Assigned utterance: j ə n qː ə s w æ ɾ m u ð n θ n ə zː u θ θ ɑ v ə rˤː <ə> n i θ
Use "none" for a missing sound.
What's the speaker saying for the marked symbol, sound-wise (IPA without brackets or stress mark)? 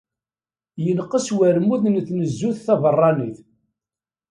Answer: ɑ